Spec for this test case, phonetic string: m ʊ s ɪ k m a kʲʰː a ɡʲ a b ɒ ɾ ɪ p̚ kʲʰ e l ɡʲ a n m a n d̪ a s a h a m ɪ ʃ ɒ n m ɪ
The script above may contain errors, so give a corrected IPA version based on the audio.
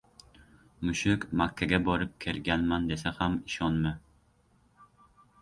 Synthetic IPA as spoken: m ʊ ʃ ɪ k m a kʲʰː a ɡʲ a b ɒ ɾ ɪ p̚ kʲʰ e l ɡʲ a n m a n d̪ e s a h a m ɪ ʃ ɒ n m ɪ